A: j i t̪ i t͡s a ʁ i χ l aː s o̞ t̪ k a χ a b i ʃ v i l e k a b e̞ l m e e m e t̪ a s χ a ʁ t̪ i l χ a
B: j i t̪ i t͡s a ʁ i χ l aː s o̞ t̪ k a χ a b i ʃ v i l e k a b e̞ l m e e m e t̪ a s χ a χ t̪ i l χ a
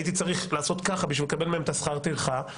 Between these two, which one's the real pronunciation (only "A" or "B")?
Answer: A